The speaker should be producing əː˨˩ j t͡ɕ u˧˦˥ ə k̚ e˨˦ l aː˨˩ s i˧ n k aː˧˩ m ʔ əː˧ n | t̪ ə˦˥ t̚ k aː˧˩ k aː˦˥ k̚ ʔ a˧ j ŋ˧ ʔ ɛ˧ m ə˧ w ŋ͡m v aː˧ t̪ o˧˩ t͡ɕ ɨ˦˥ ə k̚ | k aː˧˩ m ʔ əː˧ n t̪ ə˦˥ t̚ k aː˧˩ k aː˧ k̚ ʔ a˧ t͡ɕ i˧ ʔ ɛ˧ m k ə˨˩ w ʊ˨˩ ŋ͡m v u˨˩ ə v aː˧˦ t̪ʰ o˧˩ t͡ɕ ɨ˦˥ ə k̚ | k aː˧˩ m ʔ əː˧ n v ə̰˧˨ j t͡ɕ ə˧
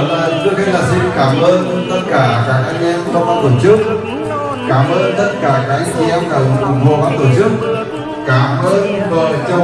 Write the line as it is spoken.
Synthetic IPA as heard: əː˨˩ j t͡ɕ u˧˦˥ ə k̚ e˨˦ l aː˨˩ s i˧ n k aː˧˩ m ʔ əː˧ n | t̪ ə˦˥ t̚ k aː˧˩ k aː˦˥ k̚ ʔ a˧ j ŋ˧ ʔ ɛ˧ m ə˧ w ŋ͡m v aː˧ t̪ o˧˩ t͡ɕ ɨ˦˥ ə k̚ | k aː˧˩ m ʔ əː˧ n t̪ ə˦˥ t̚ k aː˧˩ k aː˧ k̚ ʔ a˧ t͡ɕ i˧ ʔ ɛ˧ m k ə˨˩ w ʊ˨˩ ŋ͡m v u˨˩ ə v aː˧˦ t̪ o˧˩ t͡ɕ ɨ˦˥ ə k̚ | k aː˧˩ m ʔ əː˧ n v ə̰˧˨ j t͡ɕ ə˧